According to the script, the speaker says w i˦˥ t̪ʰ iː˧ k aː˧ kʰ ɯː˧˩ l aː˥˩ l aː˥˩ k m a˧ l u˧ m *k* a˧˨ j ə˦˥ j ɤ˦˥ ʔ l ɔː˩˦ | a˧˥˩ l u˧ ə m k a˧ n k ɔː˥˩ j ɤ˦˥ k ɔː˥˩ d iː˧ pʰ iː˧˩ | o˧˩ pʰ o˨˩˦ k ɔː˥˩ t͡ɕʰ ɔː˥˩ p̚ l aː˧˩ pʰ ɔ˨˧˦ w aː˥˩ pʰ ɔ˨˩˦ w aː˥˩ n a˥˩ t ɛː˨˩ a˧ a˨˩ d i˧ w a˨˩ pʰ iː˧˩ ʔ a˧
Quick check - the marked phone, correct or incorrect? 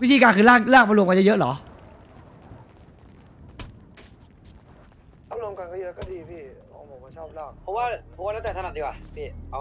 correct